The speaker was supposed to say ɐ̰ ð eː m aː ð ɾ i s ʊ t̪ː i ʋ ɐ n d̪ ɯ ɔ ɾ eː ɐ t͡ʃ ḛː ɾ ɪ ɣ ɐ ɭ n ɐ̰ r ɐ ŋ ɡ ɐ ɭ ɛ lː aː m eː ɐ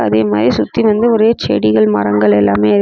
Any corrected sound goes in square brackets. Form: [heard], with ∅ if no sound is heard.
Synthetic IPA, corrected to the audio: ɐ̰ ð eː m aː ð ɾ i s ʊ t̪ː i ʋ ɐ n d̪ ɯ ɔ ɾ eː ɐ t͡ʃ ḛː [ɽ] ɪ ɣ ɐ ɭ [m] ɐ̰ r ɐ ŋ ɡ ɐ ɭ ɛ lː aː m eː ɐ